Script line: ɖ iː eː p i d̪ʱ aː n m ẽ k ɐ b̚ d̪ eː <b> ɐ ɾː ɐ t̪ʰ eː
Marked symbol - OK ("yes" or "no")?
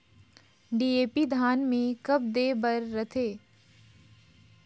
yes